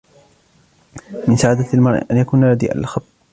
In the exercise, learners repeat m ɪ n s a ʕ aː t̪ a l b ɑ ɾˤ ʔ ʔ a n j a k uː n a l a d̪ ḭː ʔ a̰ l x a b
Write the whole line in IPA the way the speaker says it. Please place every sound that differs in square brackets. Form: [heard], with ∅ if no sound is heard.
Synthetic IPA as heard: m ɪ n s a ʕ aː [d̪] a l [m] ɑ ɾˤ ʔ ʔ a n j a k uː n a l a d̪ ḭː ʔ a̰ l x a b